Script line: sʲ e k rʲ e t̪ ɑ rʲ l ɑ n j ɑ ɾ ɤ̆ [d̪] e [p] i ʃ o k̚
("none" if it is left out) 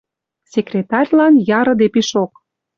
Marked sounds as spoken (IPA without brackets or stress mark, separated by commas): d̪, p